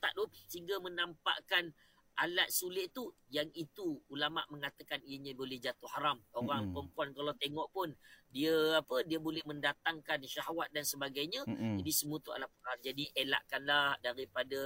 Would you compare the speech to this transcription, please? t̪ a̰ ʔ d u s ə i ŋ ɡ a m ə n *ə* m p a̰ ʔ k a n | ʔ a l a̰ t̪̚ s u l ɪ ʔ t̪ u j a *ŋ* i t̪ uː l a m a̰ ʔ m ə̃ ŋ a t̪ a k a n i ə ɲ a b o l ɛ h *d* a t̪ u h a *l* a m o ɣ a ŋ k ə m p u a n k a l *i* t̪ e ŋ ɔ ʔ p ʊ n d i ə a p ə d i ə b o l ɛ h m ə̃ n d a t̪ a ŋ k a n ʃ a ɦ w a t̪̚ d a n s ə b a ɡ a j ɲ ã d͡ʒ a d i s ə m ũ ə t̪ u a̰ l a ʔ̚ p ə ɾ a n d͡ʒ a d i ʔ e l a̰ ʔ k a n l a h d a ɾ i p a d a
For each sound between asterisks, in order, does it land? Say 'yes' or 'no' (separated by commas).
no, yes, no, no, no